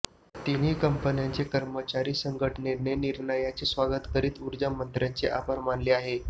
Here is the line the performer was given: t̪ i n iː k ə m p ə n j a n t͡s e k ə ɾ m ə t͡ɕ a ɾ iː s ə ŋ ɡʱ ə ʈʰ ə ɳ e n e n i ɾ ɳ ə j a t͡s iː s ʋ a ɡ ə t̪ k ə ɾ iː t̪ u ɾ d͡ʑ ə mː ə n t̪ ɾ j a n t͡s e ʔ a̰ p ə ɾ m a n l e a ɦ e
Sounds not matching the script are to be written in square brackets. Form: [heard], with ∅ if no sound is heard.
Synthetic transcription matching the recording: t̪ i n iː k ə m p ə n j a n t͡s e k ə ɾ m ə t͡ɕ a ɾ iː s ə ŋ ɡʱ ə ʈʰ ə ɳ e n e n i ɾ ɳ ə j a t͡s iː s ʋ a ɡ ə t̪ k ə ɾ iː t̪ u ɾ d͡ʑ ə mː ə n t̪ ɾ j a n t͡s e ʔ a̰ p ə ɾ m a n l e a ɦ e

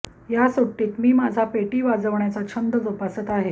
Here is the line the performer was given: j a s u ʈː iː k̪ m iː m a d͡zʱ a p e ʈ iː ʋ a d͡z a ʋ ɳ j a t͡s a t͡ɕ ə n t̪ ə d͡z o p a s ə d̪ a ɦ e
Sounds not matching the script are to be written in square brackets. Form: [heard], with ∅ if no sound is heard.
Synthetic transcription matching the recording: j a s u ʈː iː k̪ m iː m a d͡zʱ a p e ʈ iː ʋ a d͡z [ə] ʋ ɳ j a t͡s a [t͡ɕʰ] ə n [d̪] ə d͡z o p a s ə [t̪] a ɦ e

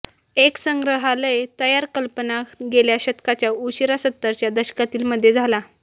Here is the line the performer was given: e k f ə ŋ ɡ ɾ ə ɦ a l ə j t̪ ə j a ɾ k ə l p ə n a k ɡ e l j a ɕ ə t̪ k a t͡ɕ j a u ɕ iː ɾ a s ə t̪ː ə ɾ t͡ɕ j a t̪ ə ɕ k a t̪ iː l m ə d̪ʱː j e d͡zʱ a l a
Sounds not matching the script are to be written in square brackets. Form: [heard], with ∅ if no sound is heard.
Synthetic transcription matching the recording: e k [s] ə ŋ ɡ ɾ ə ɦ a l ə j t̪ ə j a ɾ k ə l p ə n a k ɡ e l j a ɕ ə t̪ k a t͡ɕ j a u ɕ [i] ɾ a s ə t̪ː ə ɾ t͡ɕ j a [d̪] ə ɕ k a t̪ iː l m ə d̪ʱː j e d͡zʱ a l a

